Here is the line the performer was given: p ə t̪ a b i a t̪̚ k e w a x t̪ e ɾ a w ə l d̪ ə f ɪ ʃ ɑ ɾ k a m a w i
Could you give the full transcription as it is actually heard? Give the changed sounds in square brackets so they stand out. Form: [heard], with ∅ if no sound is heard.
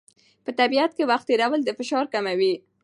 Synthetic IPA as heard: p ə t̪ a b i a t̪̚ k e w a x t̪ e ɾ a w ə l d̪ ə f ɪ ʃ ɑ ɾ k a m a w i